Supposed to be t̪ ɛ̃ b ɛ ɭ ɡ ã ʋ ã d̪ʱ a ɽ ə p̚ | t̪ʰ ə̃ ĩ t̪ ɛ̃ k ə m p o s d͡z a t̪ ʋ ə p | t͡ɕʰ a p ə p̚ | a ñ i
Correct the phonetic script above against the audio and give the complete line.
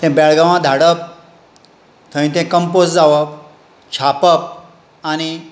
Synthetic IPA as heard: t̪ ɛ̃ b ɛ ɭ ɡ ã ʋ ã d̪ʱ a ɽ ə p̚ | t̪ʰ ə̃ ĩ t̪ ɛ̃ k ə m p o s d͡z a ʋ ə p | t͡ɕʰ a p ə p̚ | a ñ i

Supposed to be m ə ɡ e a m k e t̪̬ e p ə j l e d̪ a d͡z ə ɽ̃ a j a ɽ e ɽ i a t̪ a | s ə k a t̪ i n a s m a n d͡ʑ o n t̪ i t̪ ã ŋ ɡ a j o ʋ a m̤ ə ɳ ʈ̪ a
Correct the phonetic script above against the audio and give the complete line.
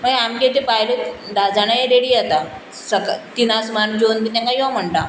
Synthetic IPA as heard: m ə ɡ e a m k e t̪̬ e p a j l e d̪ a d͡z a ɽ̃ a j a ɾ e ɽ i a t̪ a | s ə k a t̪ i n a s m a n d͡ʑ o n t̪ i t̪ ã ŋ k a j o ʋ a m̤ ə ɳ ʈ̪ a

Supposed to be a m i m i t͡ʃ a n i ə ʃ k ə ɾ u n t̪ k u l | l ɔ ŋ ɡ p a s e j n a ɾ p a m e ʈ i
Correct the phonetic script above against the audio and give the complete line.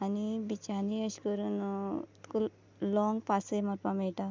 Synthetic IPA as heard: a n i b i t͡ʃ a n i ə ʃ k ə ɾ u n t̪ k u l | l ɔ ŋ ɡ p a s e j m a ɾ p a m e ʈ a

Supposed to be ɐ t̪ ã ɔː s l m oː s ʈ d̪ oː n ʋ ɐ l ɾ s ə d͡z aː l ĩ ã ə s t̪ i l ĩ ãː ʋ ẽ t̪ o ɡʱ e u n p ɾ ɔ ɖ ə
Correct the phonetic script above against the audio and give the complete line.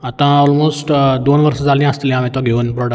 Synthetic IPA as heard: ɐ t̪ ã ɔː l m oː s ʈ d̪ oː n ʋ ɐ ɾ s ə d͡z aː l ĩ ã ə s t̪ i l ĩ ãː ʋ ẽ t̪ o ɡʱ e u n p ɾ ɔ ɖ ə

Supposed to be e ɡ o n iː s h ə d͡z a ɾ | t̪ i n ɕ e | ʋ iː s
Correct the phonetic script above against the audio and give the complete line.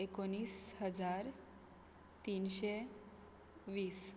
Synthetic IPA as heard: e k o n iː s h ə d͡z a ɾ | t̪ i n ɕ e | ʋ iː s

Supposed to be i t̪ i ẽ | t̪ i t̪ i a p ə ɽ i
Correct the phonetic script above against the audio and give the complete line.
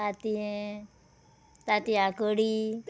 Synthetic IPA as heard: a t̪ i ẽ | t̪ a t̪ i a k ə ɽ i

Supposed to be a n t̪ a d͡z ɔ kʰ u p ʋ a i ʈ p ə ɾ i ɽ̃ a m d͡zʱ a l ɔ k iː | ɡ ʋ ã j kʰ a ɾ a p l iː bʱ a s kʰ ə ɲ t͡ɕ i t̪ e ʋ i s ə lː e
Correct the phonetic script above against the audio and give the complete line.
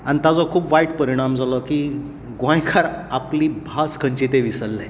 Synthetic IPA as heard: a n t̪ a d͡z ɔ kʰ uː p ʋ a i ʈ p ə ɾ i ɽ̃ a m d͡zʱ a l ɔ k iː | ɡ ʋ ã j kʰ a ɾ a p l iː bʱ a s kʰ ə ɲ t͡ɕ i t̪ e ʋ i s ə lː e

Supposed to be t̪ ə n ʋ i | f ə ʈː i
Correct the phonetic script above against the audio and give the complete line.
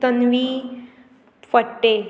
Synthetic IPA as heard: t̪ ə n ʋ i | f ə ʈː e

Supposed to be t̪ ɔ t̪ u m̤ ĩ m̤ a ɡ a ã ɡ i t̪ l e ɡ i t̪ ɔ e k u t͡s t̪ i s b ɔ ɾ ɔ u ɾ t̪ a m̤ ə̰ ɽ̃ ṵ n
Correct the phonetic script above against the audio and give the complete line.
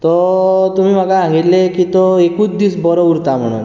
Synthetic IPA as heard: t̪ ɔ t̪ u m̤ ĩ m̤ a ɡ a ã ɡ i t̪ l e k i t̪ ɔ e k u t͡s d̪ i s b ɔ ɾ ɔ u ɾ t̪ a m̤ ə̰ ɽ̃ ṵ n

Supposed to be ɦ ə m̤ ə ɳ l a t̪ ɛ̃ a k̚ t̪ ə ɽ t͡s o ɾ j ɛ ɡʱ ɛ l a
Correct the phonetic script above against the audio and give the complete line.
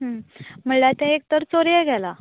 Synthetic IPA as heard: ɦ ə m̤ ə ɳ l a t̪ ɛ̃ e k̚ t̪ ə ɾ t͡s o ɾ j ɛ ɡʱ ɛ l a

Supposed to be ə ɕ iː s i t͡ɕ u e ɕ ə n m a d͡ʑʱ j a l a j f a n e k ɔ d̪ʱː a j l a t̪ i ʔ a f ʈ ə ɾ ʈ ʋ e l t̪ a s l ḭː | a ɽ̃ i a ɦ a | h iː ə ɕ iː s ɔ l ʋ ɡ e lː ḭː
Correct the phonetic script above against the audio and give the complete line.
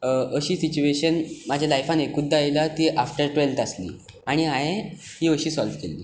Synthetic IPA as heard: ə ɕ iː s i t͡ɕ u e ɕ ə n m a d͡ʑʱ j a l a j f a n e k u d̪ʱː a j l a t̪ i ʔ a f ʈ ə ɾ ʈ ʋ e l t̪ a s l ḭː | a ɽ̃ i a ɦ e | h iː ə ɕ iː s ɔ l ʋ k e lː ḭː

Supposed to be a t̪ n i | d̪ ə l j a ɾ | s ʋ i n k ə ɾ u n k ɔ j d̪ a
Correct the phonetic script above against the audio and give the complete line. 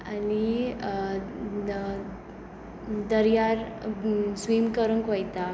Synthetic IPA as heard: a n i | d̪ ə ɾ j a ɾ | s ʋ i m k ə ɾ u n k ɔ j t̪ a

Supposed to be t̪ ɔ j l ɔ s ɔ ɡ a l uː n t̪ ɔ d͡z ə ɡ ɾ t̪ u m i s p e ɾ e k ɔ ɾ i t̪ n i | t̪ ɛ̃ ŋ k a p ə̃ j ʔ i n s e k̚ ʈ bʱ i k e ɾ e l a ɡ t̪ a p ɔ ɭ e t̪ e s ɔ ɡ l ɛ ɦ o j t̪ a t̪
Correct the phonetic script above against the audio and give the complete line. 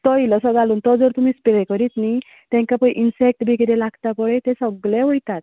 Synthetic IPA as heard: t̪ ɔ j l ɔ s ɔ ɡ a l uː n t̪ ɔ d͡z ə ɾ t̪ u m i s p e ɾ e k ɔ ɾ i t̪ n i | t̪ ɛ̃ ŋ k a p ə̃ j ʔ i n s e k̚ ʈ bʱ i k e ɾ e l a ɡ t̪ a p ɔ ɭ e t̪ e s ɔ ɡ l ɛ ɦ o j t̪ a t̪

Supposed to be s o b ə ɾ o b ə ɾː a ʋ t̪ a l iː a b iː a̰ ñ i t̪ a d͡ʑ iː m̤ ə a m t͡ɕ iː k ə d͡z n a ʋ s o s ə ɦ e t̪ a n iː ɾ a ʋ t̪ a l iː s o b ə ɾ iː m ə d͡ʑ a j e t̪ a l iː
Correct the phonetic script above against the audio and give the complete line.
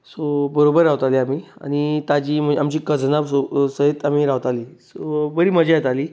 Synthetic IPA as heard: s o b ə ɾ o b ə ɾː a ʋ t̪ a l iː a m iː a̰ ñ i t̪ a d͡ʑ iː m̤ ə a m t͡ɕ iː k ə d͡z n a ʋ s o s ə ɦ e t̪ a m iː ɾ a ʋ t̪ a l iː s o b ə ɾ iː m ə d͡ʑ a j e t̪ a l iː

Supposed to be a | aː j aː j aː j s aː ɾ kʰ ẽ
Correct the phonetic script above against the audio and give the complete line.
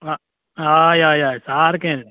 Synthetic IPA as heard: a | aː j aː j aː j s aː ɾ k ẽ

